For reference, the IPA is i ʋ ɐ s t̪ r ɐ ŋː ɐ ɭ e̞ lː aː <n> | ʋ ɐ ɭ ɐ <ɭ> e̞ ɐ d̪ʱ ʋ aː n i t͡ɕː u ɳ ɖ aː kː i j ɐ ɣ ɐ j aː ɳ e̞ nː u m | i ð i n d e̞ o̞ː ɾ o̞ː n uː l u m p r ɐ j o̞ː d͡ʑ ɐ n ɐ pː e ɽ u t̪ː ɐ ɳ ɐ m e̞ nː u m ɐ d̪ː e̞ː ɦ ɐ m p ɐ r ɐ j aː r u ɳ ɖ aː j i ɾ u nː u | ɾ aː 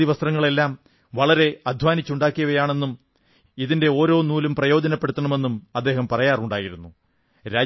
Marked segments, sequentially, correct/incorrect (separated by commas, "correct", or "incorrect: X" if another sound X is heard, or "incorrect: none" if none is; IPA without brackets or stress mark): incorrect: m, incorrect: ɾ